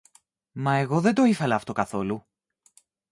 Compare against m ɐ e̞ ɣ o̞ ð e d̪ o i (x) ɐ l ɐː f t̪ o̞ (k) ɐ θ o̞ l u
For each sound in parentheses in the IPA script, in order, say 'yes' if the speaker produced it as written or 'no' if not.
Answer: no, yes

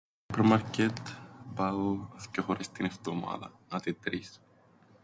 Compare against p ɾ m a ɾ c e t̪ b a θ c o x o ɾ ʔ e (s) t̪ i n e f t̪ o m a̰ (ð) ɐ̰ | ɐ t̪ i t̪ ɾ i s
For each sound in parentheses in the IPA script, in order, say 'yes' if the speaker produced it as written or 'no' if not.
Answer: yes, yes

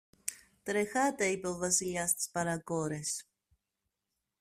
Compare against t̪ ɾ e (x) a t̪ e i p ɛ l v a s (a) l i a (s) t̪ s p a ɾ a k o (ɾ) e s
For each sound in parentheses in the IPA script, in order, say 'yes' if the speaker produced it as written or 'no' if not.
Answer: yes, no, yes, yes

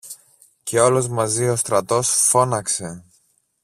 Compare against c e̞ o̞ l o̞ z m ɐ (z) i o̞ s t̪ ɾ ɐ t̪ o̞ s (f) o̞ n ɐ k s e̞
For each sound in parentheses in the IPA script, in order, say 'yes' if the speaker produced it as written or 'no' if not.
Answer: yes, yes

